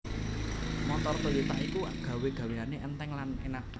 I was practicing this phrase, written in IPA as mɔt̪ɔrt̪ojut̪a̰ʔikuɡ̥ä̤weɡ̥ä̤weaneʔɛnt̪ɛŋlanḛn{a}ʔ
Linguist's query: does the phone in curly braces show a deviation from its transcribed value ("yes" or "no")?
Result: no